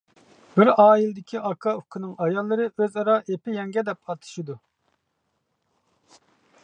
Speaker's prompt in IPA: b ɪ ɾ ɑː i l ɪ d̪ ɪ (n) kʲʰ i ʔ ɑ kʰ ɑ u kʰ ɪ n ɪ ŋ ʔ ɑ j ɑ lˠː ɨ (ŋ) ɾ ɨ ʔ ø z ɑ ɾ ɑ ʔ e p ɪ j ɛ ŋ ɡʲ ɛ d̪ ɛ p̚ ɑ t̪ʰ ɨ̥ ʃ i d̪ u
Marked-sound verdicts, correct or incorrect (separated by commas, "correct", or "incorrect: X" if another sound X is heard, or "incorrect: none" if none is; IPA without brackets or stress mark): incorrect: none, incorrect: none